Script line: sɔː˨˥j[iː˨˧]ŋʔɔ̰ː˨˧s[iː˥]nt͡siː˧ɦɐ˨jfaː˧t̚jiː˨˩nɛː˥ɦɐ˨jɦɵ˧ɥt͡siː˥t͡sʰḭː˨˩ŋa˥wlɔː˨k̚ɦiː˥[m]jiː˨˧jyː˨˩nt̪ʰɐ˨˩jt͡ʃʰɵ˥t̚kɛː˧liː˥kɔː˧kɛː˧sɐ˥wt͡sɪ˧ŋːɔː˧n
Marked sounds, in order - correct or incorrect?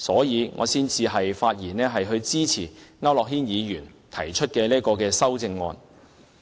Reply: correct, correct, incorrect

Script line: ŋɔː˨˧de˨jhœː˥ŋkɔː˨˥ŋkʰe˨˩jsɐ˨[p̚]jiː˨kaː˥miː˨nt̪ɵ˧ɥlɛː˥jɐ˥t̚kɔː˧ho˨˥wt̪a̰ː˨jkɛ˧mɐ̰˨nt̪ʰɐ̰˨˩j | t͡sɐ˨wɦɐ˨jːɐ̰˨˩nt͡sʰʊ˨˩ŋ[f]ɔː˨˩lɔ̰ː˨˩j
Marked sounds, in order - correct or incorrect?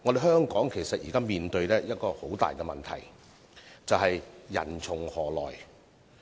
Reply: incorrect, incorrect

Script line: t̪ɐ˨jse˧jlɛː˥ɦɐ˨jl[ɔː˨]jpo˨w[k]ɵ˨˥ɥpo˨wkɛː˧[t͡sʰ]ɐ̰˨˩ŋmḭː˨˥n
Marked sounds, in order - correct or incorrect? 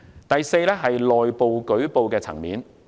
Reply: correct, correct, correct

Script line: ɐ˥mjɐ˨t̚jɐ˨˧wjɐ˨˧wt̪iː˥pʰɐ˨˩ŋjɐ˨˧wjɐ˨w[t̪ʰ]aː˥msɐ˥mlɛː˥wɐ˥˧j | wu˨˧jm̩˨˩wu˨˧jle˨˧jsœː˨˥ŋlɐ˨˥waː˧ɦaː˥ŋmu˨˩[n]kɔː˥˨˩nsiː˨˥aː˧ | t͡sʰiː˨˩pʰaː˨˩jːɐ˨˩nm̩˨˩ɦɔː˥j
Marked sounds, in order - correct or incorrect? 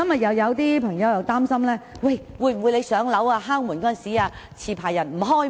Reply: incorrect, correct

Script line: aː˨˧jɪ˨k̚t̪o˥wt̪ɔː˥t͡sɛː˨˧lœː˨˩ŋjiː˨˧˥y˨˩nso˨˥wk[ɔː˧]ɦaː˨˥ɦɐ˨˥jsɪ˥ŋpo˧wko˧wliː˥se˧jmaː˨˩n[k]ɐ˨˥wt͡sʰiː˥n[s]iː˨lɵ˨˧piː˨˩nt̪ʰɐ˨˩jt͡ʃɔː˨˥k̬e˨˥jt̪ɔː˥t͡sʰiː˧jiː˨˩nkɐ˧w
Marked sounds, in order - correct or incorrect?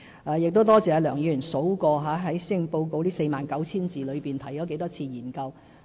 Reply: correct, correct, incorrect

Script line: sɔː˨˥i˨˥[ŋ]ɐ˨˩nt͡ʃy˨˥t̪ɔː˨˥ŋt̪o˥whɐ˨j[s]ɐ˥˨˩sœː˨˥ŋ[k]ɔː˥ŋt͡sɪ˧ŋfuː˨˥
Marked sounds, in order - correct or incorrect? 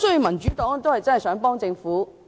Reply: incorrect, incorrect, incorrect

